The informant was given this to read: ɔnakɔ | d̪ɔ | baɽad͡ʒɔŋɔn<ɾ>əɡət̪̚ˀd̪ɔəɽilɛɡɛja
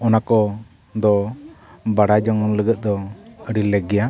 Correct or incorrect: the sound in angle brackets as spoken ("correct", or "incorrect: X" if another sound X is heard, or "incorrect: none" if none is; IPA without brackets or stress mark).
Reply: incorrect: l